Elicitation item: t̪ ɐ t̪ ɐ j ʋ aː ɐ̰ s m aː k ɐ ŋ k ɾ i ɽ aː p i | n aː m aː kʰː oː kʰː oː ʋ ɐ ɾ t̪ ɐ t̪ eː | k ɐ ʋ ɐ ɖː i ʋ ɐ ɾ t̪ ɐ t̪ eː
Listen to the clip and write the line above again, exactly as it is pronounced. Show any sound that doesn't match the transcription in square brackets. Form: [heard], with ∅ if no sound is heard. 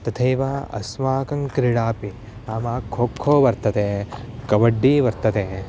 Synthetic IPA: t̪ ɐ [t̪ʰ] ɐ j ʋ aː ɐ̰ s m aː k ɐ ŋ k ɾ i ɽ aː p i | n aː m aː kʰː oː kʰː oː ʋ ɐ ɾ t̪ ɐ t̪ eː | k ɐ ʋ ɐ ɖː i ʋ ɐ ɾ t̪ ɐ t̪ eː